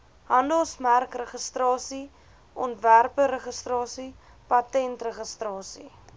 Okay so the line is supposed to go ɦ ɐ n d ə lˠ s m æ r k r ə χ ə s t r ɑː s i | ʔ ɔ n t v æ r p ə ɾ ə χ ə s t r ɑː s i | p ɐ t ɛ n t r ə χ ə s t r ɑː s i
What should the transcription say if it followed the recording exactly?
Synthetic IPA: ɦ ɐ n d ə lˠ s m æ r k r ə χ ə s t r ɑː s i | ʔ ɔ n t v æ r p ə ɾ ə χ ə s t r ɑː s i | p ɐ t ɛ n t r ə χ ə s t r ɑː s i